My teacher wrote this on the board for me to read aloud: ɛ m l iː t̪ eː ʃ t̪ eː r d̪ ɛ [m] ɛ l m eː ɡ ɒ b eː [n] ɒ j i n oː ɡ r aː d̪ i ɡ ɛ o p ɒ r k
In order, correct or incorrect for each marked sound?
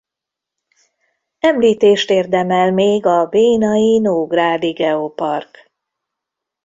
correct, correct

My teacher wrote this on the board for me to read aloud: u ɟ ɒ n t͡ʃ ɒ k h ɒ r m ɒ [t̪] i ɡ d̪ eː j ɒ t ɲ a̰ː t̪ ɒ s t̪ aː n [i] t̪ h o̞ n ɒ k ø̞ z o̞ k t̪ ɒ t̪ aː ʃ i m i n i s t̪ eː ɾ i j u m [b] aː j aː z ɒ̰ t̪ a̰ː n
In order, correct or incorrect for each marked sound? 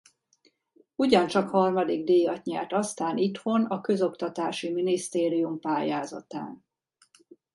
incorrect: d̪, correct, incorrect: p

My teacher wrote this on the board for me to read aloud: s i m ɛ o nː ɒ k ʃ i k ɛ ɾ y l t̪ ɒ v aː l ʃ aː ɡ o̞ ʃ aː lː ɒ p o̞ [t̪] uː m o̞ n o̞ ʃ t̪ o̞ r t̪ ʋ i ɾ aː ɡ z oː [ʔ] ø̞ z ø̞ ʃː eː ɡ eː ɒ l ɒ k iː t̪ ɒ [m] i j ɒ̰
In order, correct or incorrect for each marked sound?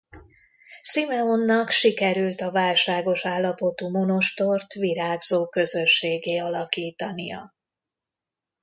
correct, incorrect: k, incorrect: n

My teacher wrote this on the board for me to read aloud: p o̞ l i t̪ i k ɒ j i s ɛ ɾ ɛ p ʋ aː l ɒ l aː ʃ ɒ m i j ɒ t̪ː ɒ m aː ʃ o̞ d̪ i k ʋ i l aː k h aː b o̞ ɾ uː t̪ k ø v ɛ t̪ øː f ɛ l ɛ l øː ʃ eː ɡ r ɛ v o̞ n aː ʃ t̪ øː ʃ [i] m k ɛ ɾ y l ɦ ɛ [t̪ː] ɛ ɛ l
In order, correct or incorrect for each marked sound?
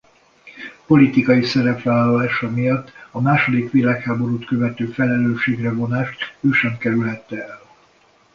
incorrect: ɛ, correct

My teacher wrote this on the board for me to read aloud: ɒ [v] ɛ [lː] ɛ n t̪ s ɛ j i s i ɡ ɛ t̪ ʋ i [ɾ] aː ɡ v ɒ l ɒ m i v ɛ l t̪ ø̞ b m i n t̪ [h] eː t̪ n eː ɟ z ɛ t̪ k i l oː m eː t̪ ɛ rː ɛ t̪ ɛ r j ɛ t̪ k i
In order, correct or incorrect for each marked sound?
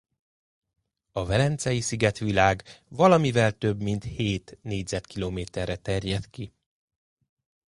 correct, incorrect: l, incorrect: l, correct

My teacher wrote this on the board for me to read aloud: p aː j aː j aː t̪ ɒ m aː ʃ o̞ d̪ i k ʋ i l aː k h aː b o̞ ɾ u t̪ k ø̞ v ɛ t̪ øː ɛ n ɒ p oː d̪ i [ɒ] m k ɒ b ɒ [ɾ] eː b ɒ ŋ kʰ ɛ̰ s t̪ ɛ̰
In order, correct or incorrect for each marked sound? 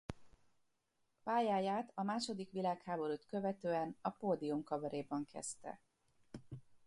incorrect: u, correct

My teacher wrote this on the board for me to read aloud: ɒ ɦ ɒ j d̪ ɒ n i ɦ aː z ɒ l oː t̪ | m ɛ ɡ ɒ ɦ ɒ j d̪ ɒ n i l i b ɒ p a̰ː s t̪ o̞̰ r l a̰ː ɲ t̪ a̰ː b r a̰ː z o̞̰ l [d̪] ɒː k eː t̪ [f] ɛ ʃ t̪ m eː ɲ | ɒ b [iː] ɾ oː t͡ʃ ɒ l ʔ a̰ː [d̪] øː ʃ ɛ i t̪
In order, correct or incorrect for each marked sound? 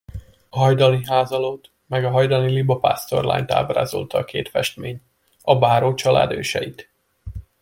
incorrect: t̪, correct, incorrect: aː, correct

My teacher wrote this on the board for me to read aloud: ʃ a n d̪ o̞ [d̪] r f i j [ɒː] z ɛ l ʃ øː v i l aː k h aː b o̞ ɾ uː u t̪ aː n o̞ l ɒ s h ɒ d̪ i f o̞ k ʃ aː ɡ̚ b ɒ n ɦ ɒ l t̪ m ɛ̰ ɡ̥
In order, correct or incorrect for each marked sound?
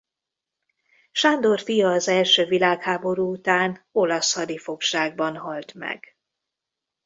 incorrect: none, correct

